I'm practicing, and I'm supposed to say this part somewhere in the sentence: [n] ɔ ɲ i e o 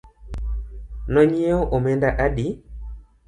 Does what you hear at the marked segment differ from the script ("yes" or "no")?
no